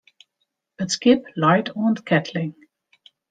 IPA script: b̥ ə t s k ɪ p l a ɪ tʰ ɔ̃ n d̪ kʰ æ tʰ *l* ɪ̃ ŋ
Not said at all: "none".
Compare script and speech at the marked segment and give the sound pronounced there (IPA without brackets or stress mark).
l